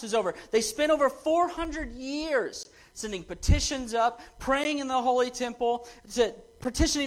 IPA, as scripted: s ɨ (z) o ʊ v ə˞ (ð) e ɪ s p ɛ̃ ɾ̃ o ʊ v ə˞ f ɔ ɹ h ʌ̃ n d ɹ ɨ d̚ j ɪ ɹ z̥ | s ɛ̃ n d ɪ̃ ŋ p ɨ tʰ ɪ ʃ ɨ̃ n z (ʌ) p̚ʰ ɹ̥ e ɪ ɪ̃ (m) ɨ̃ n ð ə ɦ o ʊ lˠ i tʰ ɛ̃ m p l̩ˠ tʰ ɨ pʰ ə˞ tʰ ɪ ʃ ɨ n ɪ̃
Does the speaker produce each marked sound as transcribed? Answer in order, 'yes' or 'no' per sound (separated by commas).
yes, yes, yes, no